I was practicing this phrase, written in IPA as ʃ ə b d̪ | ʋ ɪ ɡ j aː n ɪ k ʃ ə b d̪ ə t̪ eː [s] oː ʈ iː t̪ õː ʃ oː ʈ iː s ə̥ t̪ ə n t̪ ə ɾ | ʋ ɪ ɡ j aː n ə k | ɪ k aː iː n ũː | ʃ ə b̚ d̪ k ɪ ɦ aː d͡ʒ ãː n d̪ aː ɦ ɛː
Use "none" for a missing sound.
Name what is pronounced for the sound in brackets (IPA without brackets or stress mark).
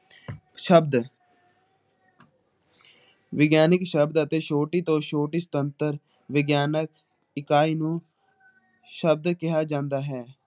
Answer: ʃ